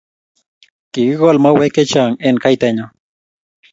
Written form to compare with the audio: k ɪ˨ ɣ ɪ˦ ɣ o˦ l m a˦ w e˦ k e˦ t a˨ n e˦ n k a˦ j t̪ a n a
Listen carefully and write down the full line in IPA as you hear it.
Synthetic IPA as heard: k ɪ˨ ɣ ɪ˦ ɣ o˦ l m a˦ w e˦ k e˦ t͡ʃ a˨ ŋ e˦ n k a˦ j t̪ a ɲ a

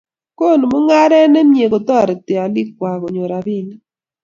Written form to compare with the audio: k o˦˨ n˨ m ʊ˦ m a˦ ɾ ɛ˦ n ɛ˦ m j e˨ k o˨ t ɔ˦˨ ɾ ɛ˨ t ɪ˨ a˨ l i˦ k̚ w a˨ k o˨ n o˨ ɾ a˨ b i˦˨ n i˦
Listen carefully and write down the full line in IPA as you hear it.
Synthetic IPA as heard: k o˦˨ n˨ m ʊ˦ ŋ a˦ ɾ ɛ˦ n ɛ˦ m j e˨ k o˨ t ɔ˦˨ ɾ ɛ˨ t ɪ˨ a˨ l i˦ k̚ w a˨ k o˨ ɲ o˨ ɾ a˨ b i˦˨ n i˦

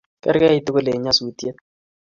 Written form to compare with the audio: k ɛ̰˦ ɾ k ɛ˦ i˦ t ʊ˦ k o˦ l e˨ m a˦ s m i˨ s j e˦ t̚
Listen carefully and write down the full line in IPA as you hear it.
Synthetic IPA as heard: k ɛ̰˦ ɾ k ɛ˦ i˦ t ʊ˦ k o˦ l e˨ ɲ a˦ s m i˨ t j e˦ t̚

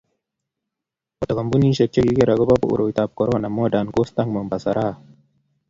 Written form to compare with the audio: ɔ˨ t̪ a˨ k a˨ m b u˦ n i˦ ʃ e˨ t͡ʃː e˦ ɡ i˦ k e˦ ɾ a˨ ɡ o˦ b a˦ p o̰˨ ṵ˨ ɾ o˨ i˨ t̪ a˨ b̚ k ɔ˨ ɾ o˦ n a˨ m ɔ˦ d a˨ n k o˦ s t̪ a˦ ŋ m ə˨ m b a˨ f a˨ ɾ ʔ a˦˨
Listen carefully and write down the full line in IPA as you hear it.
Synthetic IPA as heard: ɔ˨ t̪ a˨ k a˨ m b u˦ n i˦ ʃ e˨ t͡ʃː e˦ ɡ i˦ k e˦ ɾ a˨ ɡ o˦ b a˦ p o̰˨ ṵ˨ ɾ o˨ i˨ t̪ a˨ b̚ k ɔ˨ ɾ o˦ n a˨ m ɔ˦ d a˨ n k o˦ s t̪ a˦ ŋ m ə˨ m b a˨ s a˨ ɾ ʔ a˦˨

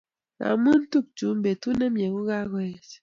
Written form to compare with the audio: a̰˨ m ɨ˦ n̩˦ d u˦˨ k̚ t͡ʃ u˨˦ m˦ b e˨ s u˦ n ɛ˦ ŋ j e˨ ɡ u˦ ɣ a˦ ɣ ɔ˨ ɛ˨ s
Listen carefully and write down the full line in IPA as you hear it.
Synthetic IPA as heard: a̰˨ m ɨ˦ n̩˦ t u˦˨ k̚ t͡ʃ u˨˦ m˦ b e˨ t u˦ n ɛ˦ m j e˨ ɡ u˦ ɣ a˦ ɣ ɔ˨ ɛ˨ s

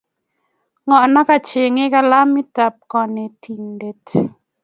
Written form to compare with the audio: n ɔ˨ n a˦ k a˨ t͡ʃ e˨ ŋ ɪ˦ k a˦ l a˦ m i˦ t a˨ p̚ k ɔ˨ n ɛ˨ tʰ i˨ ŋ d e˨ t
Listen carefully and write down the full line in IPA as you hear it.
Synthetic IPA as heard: ŋ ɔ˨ n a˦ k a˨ t͡ʃ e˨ ŋ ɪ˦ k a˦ l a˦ m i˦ t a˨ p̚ k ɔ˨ n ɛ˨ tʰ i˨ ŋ d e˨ t

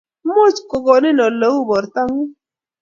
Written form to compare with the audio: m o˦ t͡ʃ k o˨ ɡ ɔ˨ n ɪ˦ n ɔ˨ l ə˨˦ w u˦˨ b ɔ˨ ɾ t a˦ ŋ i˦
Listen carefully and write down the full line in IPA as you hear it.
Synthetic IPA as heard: m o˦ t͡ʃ k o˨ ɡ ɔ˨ n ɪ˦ n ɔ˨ l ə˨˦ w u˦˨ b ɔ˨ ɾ t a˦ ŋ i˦

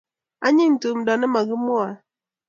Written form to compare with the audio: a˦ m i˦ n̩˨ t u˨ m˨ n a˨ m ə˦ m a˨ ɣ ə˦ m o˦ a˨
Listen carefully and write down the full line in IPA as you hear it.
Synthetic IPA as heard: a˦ ɲ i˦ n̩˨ t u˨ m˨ d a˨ n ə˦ m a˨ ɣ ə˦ m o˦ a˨

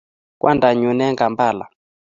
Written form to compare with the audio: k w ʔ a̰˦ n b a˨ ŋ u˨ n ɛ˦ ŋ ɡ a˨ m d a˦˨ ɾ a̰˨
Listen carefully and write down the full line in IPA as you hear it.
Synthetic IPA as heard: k w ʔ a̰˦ n d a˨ ɲ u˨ n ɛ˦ ŋ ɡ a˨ m b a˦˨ l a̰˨

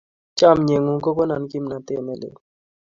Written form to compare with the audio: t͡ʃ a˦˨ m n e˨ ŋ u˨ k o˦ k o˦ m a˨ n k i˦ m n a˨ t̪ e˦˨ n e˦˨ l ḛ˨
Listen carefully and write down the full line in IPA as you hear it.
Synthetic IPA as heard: t͡ʃ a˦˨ m ɲ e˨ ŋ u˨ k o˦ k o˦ n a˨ n k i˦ m n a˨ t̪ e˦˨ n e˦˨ l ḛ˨

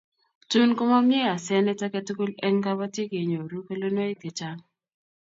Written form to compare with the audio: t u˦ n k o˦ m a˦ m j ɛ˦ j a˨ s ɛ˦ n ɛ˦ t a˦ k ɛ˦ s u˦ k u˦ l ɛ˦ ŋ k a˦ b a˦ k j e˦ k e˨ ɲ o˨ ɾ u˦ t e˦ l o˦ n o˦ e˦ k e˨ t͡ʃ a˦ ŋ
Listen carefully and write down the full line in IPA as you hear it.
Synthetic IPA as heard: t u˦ n k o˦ m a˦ m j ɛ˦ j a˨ s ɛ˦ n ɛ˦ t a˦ k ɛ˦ t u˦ k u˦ l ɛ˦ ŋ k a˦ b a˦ t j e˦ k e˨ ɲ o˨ ɾ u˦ k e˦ l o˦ n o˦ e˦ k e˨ t͡ʃ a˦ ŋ

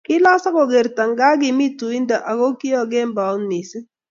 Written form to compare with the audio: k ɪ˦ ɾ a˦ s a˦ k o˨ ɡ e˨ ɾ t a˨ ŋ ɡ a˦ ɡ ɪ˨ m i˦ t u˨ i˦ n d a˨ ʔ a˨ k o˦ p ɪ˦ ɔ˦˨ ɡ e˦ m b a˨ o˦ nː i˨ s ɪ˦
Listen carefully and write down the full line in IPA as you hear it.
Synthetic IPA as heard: k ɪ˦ l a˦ s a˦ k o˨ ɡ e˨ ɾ t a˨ ŋ ɡ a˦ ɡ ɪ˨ m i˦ t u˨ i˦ n d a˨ ʔ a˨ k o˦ k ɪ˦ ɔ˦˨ ɡ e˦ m b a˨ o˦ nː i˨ s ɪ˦

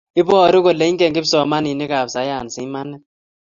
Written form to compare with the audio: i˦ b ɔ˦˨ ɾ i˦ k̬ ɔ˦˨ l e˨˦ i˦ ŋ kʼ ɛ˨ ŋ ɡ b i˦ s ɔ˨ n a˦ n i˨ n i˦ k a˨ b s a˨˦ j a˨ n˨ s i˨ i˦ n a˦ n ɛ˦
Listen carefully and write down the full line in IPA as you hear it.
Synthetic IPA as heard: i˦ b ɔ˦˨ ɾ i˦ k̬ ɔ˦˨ l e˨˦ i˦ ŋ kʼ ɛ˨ ŋ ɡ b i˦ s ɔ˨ m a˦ n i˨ n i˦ k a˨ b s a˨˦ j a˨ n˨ s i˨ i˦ m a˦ n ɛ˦

